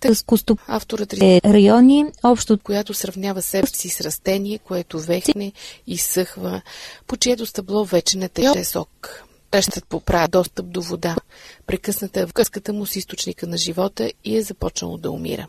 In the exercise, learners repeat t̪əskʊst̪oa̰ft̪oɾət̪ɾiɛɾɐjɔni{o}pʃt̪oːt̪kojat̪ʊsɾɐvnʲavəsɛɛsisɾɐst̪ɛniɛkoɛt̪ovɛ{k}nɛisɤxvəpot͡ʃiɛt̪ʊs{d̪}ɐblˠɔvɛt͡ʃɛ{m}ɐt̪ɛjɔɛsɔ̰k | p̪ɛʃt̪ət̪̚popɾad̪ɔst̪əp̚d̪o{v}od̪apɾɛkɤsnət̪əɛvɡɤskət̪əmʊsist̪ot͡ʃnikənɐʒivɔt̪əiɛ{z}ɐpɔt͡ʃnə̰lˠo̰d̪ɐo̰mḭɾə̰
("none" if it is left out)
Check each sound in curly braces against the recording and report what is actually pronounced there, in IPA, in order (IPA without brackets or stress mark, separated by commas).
ɔ, x, t̪, n, v, z